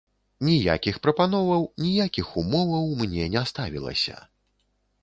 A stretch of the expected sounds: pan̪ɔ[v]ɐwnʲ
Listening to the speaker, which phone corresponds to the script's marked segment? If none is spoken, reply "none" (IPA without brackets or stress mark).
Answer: v